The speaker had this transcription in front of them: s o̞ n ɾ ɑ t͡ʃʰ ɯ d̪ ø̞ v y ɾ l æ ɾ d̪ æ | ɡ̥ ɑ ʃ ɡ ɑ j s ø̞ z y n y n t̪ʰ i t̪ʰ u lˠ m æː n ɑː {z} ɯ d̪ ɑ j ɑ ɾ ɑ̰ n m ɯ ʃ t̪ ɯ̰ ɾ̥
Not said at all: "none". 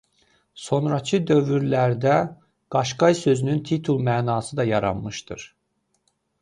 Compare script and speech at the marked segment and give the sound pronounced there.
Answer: s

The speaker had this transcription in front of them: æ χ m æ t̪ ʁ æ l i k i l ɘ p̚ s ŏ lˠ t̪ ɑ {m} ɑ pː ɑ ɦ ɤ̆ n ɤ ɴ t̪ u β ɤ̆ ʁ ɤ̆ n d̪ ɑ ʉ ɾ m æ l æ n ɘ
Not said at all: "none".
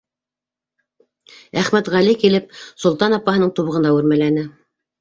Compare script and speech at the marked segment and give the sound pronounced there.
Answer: n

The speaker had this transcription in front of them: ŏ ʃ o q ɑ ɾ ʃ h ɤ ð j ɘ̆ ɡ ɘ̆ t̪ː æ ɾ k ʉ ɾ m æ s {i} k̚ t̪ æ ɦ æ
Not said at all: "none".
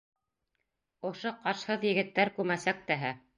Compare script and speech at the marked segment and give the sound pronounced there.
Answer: æ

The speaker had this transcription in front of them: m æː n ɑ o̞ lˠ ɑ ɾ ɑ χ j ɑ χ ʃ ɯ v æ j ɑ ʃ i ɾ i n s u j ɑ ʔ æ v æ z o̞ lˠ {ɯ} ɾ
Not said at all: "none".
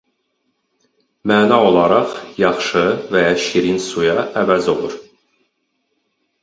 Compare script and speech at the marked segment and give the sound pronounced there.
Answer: u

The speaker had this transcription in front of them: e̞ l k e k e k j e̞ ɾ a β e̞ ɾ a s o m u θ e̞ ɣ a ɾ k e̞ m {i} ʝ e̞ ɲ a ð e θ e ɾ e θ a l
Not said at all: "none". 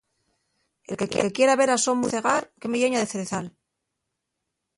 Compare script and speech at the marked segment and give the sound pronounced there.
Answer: e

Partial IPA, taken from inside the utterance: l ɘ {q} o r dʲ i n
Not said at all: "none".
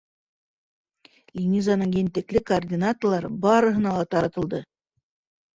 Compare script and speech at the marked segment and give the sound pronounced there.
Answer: k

